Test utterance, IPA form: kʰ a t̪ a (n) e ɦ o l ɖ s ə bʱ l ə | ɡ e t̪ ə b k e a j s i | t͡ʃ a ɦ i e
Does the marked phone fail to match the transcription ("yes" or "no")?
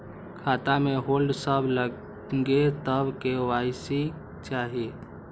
yes